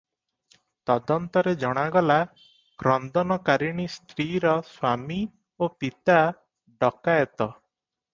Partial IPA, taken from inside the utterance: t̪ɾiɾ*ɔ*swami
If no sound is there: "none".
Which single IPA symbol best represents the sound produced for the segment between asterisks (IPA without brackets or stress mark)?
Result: ɔ